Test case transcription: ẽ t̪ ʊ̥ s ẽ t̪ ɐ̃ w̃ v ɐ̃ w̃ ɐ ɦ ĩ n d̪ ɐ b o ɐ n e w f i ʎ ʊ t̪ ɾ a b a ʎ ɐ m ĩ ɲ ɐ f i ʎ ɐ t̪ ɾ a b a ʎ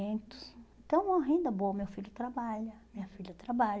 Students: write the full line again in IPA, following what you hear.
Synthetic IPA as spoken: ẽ t̪ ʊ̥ s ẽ t̪ ɐ̃ w̃ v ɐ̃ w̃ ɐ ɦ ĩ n d̪ ɐ b o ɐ m e w f i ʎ ʊ t̪ ɾ a b a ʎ ɐ m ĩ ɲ ɐ f i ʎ ɐ t̪ ɾ a b a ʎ